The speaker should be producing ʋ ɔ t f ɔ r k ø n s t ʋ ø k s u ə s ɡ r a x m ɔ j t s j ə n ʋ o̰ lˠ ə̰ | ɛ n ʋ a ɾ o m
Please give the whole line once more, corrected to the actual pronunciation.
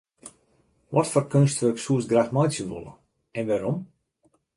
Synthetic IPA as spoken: ʋ ɔ t f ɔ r k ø n s t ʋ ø k s u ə s ɡ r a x m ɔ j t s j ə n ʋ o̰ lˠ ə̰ | ɛ n ʋ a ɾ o m